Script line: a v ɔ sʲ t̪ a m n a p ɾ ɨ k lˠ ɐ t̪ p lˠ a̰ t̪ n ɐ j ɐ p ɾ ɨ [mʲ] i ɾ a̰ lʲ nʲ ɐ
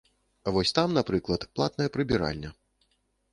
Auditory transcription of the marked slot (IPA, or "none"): bʲ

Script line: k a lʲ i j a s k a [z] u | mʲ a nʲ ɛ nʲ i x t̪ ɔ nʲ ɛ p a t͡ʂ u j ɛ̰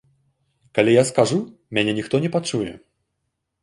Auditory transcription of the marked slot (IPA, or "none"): ʐ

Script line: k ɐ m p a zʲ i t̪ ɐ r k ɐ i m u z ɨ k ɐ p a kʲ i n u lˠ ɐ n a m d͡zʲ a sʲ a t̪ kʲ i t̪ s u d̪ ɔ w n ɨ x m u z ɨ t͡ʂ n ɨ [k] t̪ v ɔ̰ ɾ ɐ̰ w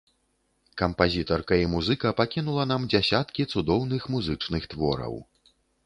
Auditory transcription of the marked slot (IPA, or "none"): x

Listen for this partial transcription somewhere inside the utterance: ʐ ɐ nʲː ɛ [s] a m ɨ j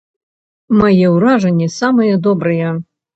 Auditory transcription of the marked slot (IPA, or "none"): s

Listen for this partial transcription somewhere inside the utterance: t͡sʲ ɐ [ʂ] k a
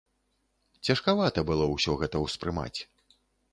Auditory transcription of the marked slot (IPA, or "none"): ʂ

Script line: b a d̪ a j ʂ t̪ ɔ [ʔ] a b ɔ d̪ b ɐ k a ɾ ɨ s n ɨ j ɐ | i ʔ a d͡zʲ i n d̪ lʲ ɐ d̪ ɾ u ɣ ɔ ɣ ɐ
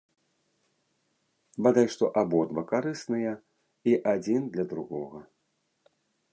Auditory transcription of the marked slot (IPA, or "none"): ʔ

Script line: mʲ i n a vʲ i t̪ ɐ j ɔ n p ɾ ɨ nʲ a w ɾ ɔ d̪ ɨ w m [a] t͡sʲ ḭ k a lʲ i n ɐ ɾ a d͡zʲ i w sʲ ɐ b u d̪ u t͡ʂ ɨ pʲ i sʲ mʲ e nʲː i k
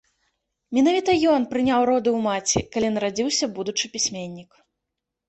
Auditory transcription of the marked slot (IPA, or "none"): a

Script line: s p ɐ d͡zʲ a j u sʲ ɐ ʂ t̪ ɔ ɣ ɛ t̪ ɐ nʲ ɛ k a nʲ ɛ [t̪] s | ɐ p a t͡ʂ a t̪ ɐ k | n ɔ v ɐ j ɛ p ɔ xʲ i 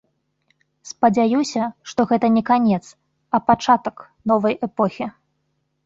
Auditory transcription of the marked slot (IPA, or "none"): t̪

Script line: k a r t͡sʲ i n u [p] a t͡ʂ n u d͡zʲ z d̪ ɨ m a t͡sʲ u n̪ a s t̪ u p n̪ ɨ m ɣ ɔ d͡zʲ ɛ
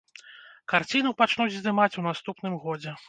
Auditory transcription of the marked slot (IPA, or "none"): p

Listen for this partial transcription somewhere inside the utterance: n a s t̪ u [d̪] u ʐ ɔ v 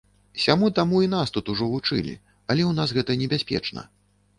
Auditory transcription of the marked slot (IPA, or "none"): t̪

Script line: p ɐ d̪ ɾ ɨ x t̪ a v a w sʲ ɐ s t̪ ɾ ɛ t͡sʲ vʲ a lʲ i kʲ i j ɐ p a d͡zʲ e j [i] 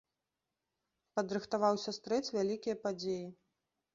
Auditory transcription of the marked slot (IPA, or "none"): i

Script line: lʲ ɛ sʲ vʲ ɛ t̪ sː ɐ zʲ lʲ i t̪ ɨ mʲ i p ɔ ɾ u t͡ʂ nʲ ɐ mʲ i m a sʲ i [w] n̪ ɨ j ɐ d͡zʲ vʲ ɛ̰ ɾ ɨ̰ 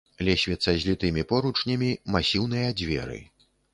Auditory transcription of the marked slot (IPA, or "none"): w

